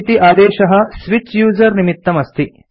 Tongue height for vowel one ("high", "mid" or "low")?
high